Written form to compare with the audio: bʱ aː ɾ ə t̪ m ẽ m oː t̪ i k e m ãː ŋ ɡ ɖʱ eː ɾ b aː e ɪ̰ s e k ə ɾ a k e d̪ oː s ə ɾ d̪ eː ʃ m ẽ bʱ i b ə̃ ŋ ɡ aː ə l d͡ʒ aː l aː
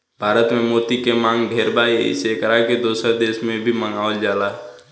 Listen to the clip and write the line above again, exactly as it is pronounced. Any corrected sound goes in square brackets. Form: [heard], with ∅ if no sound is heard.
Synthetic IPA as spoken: bʱ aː ɾ ə t̪ m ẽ m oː t̪ i k e m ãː ŋ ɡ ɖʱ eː ɾ b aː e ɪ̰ s e k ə ɾ a k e d̪ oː s ə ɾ d̪ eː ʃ m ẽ bʱ i [m] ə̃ ŋ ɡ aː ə l d͡ʒ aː l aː

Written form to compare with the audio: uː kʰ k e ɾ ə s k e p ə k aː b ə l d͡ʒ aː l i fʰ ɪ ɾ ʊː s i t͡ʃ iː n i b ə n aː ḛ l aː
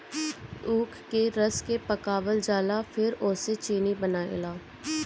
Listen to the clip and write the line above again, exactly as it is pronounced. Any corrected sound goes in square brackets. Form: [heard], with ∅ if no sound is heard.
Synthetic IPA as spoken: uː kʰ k e ɾ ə s k e p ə k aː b ə l d͡ʒ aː l [a] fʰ ɪ ɾ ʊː s [e] t͡ʃ iː n i b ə n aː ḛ l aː

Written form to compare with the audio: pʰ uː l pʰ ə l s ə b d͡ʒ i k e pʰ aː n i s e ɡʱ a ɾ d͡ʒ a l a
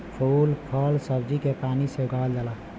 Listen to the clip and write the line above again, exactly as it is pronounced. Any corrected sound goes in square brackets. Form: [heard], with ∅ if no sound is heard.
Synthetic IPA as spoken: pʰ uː l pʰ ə l s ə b d͡ʒ i k e [p] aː n i s e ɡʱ a [l] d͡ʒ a l a

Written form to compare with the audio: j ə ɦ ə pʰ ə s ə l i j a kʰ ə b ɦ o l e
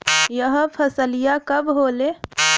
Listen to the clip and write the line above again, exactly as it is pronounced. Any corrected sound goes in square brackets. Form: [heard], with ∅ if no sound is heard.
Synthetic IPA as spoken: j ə ɦ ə pʰ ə s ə l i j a [k] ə b ɦ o l e

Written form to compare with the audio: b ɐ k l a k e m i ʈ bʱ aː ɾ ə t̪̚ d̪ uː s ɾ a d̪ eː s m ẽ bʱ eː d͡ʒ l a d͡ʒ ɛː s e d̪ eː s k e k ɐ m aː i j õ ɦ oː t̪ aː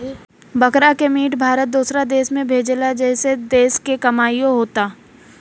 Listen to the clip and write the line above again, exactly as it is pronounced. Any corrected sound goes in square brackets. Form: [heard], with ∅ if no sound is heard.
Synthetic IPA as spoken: b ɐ k [ɾ] a k e m [iː] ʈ bʱ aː ɾ ə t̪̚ d̪ uː s ɾ a d̪ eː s m ẽ bʱ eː d͡ʒ l a d͡ʒ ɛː s e d̪ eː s k e k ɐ m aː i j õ ɦ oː t̪ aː

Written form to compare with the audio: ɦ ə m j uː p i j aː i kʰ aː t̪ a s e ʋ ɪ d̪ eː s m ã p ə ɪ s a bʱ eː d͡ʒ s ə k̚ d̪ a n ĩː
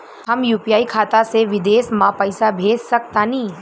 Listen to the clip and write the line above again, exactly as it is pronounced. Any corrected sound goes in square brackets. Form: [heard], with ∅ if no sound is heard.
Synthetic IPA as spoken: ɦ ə m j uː p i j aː i kʰ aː t̪ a s e ʋ ɪ d̪ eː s m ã p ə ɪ s a bʱ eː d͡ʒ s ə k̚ [t̪] a n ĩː

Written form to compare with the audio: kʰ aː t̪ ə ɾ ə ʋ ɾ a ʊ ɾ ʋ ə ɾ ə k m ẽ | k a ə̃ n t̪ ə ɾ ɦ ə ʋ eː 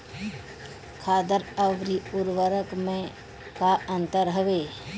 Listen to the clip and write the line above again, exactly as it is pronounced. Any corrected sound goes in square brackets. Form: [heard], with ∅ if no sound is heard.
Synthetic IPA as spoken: kʰ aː [d̪] ə ɾ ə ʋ ɾ [i] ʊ ɾ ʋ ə ɾ ə k m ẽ | k a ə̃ n t̪ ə ɾ ɦ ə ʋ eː

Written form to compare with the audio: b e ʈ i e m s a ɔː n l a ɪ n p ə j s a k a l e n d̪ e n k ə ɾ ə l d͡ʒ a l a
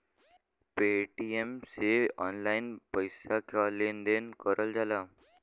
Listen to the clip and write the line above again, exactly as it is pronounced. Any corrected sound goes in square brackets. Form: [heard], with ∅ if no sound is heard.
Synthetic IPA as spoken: [p] e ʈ i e m s [e] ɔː n l a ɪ n p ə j s a k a l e n d̪ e n k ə ɾ ə l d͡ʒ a l a

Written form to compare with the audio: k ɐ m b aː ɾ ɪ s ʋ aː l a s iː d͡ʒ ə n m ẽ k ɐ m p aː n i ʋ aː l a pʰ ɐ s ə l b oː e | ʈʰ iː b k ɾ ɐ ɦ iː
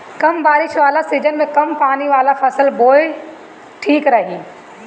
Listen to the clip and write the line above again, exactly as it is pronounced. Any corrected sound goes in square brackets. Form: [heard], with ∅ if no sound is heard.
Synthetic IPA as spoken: k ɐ m b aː ɾ ɪ [ʃ] ʋ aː l a s iː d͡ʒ ə n m ẽ k ɐ m p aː n i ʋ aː l a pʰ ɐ s ə l b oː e | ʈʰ iː [∅] k ɾ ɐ ɦ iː

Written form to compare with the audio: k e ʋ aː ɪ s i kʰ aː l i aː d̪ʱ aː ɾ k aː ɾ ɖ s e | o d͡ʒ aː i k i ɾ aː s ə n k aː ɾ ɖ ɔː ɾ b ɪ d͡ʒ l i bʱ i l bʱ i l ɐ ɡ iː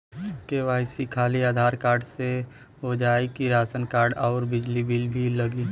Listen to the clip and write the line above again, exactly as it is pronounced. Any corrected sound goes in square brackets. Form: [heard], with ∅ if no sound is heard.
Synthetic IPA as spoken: k e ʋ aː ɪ s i kʰ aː l i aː d̪ʱ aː ɾ k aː ɾ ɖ s e | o d͡ʒ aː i k i ɾ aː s ə n k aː ɾ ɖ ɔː ɾ b ɪ d͡ʒ l i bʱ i l bʱ i l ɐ ɡ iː

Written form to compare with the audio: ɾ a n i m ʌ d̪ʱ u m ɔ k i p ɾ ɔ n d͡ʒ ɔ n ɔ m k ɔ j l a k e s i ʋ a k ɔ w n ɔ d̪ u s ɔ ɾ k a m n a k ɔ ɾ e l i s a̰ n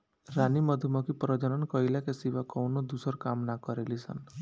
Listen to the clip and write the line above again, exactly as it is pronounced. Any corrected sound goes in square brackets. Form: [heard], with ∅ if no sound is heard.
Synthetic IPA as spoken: ɾ a n i m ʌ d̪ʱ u m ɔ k i p ɾ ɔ [∅] d͡ʒ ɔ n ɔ [n] k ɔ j l a k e s i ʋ a k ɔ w n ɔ d̪ u s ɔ ɾ k a m n a k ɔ ɾ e l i s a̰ n

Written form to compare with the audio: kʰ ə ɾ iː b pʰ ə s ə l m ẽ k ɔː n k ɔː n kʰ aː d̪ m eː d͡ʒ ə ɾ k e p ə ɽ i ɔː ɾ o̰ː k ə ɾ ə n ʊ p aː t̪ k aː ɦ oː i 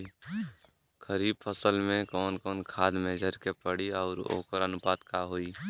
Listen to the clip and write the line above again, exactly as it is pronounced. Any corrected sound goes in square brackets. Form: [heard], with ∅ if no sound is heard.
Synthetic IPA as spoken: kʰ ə ɾ iː b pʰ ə s ə l m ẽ k ɔː n k ɔː n kʰ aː d̪ m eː d͡ʒ ə ɾ k e p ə ɽ i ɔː ɾ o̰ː k ə ɾ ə n ʊ p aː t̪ k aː ɦ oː i

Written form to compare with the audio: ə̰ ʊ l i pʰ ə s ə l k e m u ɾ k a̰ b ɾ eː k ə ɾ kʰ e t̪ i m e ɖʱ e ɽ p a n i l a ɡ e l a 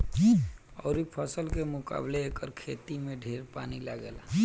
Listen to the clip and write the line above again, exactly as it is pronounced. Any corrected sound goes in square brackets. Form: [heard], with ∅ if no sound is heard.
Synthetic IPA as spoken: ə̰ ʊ [ɾ] i pʰ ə s ə l k e m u [∅] k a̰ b [l] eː k ə ɾ kʰ e t̪ i m e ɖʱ e [ɾ] p a n i l a ɡ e l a

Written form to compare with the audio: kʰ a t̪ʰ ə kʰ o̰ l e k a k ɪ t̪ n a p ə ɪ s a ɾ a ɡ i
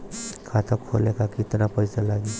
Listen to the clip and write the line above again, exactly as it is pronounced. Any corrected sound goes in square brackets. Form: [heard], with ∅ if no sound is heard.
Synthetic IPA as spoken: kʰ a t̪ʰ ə kʰ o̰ l e k a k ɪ t̪ n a p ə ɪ s a [l] a ɡ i

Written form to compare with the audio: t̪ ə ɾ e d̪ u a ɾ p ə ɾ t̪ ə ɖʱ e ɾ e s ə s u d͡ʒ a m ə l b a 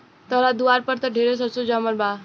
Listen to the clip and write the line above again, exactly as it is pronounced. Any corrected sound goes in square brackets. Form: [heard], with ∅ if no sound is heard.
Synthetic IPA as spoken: t̪ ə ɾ [a] d̪ u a ɾ p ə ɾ t̪ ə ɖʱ e ɾ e s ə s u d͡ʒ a m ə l b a

